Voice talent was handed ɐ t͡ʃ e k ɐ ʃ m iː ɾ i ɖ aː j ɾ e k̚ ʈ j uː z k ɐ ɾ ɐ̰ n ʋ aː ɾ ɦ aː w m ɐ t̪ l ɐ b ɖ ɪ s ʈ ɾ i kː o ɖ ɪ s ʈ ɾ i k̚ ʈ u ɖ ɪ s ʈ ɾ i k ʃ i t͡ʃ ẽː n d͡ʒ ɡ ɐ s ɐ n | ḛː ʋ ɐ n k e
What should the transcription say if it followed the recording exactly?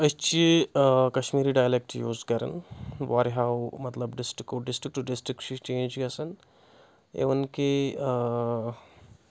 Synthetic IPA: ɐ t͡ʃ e k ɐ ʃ m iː ɾ i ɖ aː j l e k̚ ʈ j uː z k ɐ ɾ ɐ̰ n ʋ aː ɾ ɦ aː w m ɐ t̪ l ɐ b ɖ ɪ s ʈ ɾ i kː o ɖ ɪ s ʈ ɾ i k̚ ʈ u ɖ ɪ s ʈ ɾ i k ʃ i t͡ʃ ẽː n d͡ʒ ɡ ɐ s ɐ n | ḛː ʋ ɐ n k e

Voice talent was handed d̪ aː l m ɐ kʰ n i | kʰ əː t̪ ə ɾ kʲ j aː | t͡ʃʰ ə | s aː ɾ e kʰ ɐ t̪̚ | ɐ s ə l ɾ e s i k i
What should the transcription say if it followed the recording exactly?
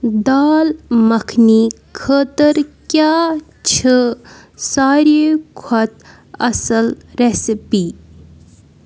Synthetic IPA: d̪ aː l m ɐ kʰ n i | kʰ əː t̪ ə ɾ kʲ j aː | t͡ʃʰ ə | s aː ɾ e kʰ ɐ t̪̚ | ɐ s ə l ɾ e s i p i

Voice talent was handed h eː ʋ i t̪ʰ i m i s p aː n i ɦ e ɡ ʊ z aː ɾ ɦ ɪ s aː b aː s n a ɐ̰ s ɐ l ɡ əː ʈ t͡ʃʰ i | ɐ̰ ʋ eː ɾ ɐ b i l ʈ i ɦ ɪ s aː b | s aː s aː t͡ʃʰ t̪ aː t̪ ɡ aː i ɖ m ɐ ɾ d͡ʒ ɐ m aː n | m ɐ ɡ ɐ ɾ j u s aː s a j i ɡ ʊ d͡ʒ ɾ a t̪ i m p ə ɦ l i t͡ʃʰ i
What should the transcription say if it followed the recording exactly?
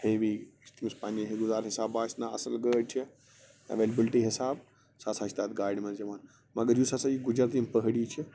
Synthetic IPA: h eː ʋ i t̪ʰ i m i s p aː n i ɦ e ɡ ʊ z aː ɾ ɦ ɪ s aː b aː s n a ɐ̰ s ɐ l ɡ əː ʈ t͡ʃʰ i | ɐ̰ ʋ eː l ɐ b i l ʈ i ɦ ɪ s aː b | s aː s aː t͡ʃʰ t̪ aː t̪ ɡ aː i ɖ m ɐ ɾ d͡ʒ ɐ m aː n | m ɐ ɡ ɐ ɾ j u s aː s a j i ɡ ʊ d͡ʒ ɾ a t̪ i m p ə ɦ ɽ i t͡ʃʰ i

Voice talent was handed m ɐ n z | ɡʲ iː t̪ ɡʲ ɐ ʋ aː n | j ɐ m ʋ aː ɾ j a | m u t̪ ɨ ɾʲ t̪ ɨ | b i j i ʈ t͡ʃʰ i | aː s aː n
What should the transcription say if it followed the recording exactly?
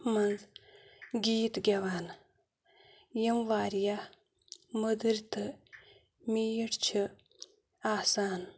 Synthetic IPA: m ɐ n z | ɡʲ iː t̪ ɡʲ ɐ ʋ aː n | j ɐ m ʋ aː ɾ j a | m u d̪ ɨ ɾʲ t̪ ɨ | m i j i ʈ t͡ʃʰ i | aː s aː n

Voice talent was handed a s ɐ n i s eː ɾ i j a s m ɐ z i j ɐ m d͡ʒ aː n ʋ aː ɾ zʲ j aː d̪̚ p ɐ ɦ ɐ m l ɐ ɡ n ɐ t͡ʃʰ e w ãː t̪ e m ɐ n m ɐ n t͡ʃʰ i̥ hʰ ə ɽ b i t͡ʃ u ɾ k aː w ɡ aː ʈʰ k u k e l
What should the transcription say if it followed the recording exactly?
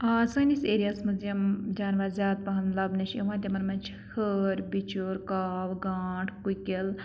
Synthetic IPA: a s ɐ n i s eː ɾ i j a s m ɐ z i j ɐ m d͡ʒ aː n ʋ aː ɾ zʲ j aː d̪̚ p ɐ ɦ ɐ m l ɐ b n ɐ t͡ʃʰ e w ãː t̪ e m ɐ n m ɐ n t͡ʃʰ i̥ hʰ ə ɾ b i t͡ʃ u ɾ k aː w ɡ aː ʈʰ k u k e l

